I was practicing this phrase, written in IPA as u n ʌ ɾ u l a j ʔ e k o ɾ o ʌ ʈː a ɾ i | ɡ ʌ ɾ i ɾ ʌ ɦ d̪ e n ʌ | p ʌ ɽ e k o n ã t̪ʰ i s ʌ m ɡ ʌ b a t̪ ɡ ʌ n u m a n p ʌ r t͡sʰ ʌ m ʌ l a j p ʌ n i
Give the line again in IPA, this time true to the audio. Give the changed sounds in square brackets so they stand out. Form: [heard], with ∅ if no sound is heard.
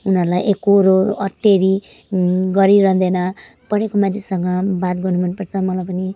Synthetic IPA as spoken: u n ʌ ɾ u l a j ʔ e k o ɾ o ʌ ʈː [e] ɾ i | ɡ ʌ ɾ i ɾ ʌ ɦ d̪ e n ʌ | p ʌ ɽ e k o [m] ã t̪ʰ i s ʌ [ŋ] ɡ ʌ b a t̪ ɡ ʌ n u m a n p ʌ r t͡sʰ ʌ m ʌ l a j p ʌ n i